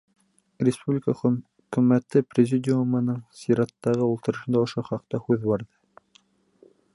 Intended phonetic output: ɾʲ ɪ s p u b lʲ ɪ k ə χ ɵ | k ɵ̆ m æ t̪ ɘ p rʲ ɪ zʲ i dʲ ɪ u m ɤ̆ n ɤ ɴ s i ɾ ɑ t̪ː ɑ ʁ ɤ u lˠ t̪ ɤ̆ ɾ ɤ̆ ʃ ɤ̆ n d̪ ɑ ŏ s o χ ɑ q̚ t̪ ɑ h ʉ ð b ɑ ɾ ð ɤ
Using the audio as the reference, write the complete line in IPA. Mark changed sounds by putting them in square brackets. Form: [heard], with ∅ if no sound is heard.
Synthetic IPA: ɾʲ ɪ s p u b lʲ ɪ k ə χ ɵ | k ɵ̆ m æ t̪ ɘ p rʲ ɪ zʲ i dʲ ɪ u m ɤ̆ n ɤ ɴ s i ɾ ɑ t̪ː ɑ ʁ ɤ u lˠ t̪ ɤ̆ ɾ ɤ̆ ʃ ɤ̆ n d̪ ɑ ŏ [ʃ] o χ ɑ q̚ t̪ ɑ h ʉ ð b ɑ ɾ ð ɤ